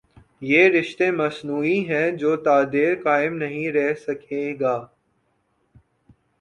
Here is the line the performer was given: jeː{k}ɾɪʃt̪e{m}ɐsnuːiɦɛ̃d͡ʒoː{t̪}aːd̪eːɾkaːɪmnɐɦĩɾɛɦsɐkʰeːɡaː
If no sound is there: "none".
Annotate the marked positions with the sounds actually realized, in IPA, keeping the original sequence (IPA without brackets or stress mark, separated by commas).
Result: none, m, t̪